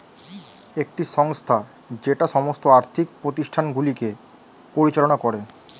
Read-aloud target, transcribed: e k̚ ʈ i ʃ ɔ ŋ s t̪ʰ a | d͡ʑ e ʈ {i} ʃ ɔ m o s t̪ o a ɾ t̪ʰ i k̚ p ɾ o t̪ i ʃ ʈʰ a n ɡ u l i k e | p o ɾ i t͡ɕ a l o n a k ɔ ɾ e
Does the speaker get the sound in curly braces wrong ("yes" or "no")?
yes